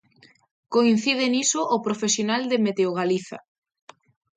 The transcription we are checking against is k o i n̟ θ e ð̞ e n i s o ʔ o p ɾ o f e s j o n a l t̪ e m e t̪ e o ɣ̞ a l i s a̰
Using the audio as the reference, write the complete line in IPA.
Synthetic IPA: k o i n̟ θ i ð̞ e n i s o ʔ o p ɾ o f e s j o n a l d̪ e m e t̪ e o ɣ̞ a l i θ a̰